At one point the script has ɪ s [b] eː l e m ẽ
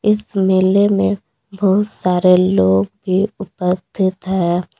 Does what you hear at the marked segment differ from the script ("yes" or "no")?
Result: yes